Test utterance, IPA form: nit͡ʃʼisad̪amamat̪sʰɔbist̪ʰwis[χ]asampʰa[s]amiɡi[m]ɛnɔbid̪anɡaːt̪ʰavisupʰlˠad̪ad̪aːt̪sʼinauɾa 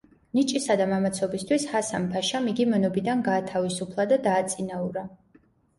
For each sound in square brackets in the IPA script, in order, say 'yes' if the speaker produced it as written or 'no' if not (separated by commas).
no, no, yes